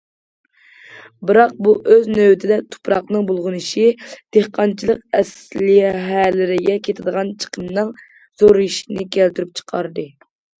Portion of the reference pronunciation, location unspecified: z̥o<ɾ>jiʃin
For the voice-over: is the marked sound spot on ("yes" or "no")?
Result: yes